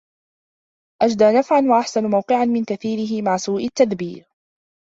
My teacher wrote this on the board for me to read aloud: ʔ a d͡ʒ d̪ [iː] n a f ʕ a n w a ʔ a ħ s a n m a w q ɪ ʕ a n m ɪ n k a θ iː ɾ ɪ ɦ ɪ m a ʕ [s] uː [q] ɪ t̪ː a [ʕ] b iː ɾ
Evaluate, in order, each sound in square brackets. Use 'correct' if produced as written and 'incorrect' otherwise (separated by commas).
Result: incorrect, correct, incorrect, incorrect